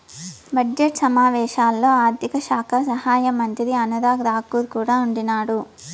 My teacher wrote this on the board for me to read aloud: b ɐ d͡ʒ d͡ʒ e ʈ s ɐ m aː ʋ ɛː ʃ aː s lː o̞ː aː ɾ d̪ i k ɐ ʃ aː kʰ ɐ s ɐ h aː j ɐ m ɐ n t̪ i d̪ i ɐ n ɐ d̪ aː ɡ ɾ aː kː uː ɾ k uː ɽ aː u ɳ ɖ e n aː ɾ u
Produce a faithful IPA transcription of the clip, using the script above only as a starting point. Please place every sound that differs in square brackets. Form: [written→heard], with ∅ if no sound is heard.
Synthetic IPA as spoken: b ɐ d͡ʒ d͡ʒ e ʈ s ɐ m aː ʋ ɛː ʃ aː [s→∅] lː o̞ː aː ɾ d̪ i k ɐ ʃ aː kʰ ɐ s ɐ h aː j ɐ m ɐ n t̪ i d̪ i ɐ n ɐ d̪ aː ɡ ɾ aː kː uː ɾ k uː ɽ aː u ɳ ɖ [e→i] n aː [ɾ→ɽ] u